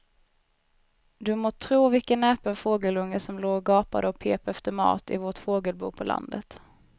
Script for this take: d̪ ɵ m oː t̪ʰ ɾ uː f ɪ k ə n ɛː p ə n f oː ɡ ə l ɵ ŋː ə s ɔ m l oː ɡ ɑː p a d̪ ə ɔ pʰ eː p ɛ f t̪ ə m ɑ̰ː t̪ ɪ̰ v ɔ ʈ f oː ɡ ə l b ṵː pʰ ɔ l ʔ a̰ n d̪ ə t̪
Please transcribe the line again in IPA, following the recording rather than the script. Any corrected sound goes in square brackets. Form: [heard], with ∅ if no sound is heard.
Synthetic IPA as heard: d̪ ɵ m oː t̪ʰ ɾ uː [v] ɪ k ə n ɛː p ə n f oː ɡ ə l ɵ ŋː ə s ɔ m l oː ɡ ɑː p a d̪ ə ɔ pʰ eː p ɛ f t̪ ə m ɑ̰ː t̪ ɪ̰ v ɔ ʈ f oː ɡ ə l b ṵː pʰ ɔ l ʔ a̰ n d̪ ə t̪